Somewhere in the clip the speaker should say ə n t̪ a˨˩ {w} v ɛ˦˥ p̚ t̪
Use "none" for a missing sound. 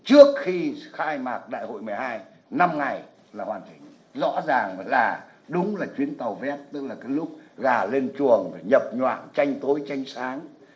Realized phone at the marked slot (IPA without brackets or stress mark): w